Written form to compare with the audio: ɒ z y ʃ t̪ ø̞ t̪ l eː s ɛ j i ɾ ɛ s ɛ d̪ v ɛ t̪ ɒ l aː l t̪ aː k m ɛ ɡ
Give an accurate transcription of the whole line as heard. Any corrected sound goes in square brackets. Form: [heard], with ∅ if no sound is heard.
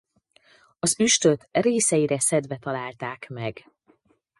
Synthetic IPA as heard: ɒ z y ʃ t̪ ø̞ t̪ [r] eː s ɛ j i ɾ ɛ s ɛ d̪ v ɛ t̪ ɒ l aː l t̪ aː k m ɛ ɡ